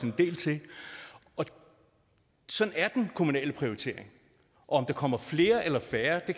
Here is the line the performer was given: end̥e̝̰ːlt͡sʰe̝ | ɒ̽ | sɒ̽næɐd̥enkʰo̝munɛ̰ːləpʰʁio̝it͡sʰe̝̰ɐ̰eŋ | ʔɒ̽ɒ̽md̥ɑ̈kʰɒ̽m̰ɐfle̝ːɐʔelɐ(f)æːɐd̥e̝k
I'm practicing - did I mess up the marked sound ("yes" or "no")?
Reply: no